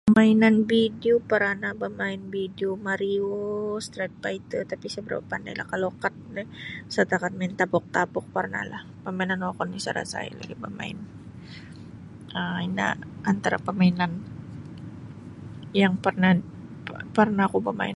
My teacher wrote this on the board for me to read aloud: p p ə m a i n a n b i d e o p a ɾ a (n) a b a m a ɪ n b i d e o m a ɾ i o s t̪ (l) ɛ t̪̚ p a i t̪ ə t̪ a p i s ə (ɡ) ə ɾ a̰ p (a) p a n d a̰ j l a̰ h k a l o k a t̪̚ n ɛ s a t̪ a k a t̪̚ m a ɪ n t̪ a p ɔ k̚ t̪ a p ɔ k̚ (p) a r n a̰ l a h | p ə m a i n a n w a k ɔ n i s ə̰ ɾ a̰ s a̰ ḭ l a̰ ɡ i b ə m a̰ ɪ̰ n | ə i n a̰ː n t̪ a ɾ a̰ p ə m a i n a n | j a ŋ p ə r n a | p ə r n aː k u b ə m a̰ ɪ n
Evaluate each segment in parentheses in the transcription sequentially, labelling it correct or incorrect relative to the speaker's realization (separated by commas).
correct, incorrect, incorrect, correct, correct